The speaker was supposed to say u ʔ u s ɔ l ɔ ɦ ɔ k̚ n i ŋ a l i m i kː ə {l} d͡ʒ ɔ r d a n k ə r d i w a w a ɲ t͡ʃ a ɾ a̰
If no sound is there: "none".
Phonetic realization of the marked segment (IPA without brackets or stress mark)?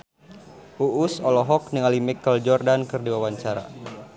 l